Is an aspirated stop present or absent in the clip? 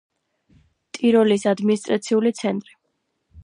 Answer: absent